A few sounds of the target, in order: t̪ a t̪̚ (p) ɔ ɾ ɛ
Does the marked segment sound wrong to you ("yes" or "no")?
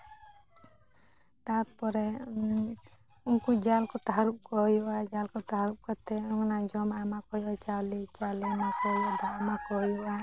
no